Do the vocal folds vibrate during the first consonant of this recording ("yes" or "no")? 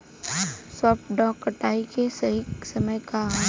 no